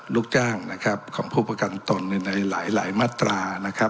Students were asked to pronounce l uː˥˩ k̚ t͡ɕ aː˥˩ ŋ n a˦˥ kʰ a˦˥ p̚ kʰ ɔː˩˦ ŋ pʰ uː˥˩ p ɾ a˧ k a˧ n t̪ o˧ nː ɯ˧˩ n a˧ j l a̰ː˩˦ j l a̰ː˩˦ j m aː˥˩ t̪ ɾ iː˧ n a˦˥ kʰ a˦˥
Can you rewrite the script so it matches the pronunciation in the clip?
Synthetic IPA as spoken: l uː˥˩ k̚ t͡ɕ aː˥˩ ŋ n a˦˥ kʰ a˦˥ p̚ kʰ ɔː˩˦ ŋ pʰ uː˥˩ p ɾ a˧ k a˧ n t̪ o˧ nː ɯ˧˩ n a˧ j l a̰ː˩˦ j l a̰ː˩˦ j m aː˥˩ t̪ ɾ aː˧ n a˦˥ kʰ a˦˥